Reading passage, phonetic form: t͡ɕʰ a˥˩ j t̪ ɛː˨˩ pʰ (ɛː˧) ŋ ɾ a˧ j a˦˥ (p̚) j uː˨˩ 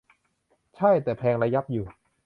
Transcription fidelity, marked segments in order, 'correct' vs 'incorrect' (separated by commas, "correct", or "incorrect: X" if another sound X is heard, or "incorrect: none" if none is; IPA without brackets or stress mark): correct, correct